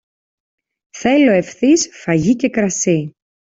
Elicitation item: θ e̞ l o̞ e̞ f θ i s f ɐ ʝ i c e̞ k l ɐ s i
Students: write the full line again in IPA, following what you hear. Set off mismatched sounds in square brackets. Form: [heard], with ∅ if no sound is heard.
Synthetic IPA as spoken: θ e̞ l o̞ e̞ f θ i s f ɐ ʝ i c e̞ k [ɾ] ɐ s i